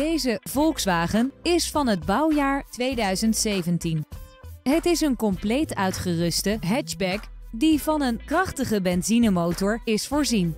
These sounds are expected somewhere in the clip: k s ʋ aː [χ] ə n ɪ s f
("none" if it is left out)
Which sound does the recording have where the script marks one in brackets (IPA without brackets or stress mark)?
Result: χ